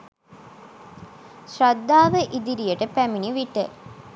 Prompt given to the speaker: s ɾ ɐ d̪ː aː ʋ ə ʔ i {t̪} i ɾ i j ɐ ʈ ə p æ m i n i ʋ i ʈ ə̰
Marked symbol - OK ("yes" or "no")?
no